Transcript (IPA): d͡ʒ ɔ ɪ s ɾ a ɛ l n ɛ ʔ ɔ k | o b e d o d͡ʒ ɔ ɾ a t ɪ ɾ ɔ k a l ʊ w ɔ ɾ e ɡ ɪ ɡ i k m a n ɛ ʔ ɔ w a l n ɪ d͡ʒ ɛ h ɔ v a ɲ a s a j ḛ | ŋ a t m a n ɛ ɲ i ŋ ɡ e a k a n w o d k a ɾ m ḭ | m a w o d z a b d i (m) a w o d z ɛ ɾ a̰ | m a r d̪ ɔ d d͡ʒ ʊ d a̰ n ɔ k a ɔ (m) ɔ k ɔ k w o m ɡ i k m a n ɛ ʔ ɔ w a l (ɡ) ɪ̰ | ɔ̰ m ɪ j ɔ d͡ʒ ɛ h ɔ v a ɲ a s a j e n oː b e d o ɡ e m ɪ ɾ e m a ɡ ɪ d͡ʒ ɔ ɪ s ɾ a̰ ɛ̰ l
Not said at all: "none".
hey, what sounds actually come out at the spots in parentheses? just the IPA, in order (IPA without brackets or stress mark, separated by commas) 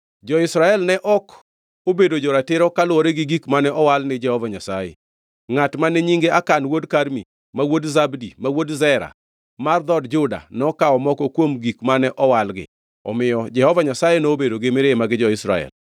m, m, ɡ